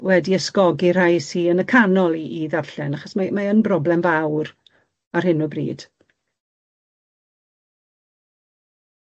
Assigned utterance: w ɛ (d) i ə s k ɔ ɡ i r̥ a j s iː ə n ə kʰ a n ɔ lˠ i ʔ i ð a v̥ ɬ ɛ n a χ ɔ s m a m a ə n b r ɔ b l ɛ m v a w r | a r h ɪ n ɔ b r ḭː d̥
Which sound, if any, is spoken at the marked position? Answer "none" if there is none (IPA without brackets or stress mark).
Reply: d